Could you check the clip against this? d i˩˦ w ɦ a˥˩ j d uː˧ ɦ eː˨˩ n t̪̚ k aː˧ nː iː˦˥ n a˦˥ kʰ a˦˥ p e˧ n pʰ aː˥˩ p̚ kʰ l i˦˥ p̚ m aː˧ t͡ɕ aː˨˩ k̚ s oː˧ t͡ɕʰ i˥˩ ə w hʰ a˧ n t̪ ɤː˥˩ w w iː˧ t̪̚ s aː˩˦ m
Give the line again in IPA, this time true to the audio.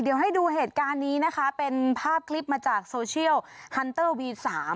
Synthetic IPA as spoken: d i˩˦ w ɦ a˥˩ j d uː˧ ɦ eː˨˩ t̪̚ k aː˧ nː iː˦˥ n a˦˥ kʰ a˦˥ p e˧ n pʰ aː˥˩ p̚ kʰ l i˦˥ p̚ m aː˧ t͡ɕ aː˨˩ k̚ s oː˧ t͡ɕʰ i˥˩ ə w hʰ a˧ n t̪ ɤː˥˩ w w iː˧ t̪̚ s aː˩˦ m